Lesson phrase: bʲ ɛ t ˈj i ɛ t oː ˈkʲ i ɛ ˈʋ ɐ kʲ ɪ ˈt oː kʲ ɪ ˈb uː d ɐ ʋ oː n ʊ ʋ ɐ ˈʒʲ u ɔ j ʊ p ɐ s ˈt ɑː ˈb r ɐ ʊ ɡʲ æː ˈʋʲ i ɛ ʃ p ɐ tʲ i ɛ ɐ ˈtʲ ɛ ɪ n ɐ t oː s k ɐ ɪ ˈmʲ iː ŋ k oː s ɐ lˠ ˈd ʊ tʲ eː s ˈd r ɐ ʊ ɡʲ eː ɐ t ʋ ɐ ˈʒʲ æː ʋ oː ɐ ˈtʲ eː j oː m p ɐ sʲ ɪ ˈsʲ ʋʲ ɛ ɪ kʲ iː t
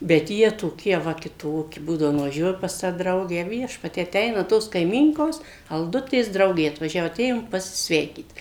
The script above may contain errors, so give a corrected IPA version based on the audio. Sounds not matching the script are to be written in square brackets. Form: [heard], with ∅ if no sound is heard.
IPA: bʲ ɛ t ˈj i ɛ t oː ˈkʲ i ɛ ˈʋ ɐ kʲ ɪ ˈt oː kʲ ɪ ˈb uː d ɐ ʋ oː n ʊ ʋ ɐ ˈʒʲ u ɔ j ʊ p ɐ s ˈt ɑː [ˈd] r ɐ ʊ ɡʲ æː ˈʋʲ i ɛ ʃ p ɐ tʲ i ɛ ɐ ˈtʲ ɛ ɪ n ɐ t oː s k ɐ ɪ ˈmʲ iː ŋ k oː s ɐ lˠ ˈd ʊ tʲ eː s ˈd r ɐ ʊ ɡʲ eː ɐ t ʋ ɐ ˈʒʲ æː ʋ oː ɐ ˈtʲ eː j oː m p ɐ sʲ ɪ ˈsʲ ʋʲ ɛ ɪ kʲ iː t